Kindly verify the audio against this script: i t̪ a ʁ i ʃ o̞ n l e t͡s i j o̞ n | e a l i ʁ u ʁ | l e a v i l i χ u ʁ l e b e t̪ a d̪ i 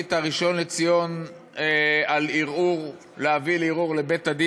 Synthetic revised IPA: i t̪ a ʁ i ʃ o̞ n l e t͡s i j o̞ n | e a l i ʁ u ʁ | l e a v i l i ʁ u ʁ l e b e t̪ a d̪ i

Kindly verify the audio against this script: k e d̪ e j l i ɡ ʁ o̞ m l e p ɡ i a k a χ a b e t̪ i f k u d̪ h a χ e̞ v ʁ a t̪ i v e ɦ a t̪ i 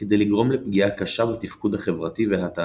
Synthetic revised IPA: k e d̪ e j l i ɡ ʁ o̞ m l e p ɡ i a k a ʃ a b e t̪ i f k u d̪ h a χ e̞ v ʁ a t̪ i v e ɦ a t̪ a

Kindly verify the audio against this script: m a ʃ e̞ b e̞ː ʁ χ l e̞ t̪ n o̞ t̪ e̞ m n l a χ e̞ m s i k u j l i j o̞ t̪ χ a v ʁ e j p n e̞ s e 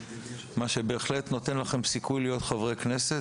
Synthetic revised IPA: m a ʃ e̞ b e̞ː χ l e̞ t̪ n o̞ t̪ e̞ n l a χ e̞ m s i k u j l i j o̞ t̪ χ a v ʁ e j k n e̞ s e

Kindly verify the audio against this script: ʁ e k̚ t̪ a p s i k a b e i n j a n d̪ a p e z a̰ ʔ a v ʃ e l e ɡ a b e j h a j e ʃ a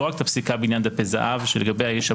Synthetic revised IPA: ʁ a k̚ t̪ a p s i k a b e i n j a n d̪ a p e z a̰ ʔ a v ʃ e l e ɡ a b e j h a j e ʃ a

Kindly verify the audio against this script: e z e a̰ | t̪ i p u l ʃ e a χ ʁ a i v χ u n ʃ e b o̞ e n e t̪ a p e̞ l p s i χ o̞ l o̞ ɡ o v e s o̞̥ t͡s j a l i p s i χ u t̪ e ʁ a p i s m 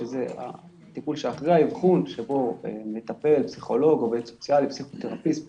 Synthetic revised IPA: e z e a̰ | t̪ i p u l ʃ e a χ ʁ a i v χ u n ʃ e b o̞ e m e t̪ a p e̞ l p s i χ o̞ l o̞ ɡ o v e s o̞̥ t͡s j a l i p s i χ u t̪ e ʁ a p i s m

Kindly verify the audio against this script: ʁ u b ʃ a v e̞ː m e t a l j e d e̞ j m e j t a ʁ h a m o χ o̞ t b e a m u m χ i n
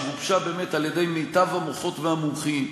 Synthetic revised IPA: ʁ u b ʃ a b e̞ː m e t a l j e d e̞ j m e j t a v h a m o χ o̞ t v e a m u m χ i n

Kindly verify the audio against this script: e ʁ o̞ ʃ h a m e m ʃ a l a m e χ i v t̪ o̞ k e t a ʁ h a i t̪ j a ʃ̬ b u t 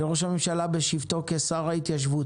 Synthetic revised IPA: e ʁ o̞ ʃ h a m e m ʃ a l a b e ʃ i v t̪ o̞ k e s a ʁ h a i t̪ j a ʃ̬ v u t

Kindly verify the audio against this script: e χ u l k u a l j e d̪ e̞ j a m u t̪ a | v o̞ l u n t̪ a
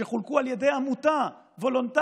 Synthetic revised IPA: e χ u l k u a l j e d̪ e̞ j a m u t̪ a | v o̞ l o n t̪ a

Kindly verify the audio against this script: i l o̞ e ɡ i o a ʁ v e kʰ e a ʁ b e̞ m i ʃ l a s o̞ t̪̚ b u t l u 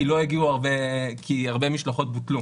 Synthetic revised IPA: i l o̞ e ɡ i u a ʁ b e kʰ i a ʁ b e̞ m i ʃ l a χ o̞ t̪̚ b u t l u

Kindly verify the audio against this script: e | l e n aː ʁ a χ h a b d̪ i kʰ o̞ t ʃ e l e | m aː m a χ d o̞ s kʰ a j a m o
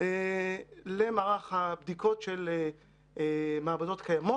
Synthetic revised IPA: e | l e m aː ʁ a χ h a b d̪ i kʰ o̞ t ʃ e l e | m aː b a d o̞ t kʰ a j a m o

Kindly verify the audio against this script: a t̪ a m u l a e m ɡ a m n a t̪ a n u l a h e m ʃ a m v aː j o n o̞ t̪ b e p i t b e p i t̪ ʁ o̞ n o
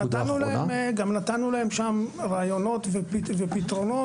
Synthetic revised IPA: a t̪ a n u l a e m ɡ a m n a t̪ a n u l a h e m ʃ a m ʁ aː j o n o̞ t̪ v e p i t v e p i t̪ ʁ o̞ n o

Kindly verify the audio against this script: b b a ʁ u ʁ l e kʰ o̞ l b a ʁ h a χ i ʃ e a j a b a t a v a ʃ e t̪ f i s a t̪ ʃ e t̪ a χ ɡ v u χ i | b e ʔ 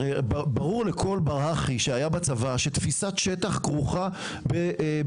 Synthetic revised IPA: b b a ʁ u ʁ l e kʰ o̞ l b a ʁ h a χ i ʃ e a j a b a t͡s a v a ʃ e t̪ f i s a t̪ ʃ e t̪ a χ ɡ ʁ u χ a | b e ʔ

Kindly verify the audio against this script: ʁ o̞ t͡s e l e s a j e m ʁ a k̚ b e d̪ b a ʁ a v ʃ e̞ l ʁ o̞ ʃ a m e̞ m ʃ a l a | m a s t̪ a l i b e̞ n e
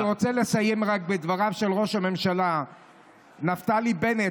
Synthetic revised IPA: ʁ o̞ t͡s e l e s a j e m ʁ a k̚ b e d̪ v a ʁ a v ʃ e̞ l ʁ o̞ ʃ a m e̞ m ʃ a l a | n a f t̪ a l i b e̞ n e

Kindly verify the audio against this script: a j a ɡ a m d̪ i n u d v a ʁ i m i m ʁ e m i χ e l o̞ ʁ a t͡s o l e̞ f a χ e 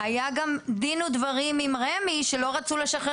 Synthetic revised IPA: a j a ɡ a m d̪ i n u d v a ʁ i m i m ʁ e m i ʃ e l o̞ ʁ a t͡s u l e̞ ʃ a χ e

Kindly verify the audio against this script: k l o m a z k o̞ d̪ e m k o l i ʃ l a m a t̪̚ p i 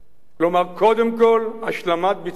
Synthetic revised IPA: k l o m a ʁ k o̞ d̪ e m k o l a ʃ l a m a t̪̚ b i

